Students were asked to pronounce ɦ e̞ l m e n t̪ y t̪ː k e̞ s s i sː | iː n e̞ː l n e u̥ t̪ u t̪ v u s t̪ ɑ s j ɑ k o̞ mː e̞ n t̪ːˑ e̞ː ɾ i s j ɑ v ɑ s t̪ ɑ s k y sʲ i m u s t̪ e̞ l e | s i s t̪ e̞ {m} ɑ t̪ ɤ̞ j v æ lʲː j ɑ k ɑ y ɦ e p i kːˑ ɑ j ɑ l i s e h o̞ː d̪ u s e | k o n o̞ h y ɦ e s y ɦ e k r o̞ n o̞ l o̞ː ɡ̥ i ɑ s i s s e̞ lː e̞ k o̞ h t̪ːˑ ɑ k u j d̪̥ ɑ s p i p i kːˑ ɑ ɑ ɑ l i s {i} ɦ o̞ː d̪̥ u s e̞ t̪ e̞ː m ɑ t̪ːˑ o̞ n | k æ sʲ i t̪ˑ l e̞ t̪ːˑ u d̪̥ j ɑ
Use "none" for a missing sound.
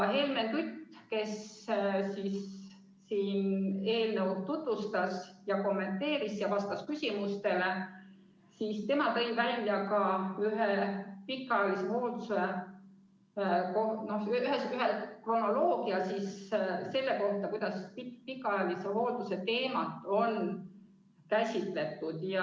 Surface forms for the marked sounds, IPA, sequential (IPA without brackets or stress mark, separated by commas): m, e